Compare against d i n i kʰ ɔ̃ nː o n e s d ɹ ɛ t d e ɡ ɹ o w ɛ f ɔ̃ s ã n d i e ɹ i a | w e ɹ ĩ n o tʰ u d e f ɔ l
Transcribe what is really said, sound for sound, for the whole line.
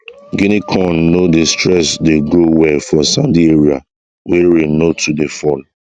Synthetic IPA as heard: ɡ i n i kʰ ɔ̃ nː o d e s t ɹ ɛ s d e ɡ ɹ o w ɛ f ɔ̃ s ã n d i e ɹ i a | w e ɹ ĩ n o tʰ u d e f ɔ l